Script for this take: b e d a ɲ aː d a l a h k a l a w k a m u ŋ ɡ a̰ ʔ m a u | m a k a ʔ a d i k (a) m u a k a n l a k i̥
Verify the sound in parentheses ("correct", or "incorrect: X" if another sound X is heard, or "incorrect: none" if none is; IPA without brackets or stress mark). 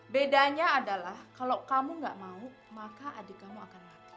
correct